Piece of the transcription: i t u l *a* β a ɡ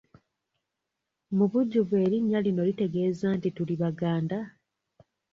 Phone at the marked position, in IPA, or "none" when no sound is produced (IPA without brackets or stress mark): i